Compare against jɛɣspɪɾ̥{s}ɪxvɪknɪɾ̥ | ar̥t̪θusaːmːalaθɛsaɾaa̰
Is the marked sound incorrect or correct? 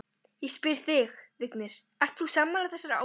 incorrect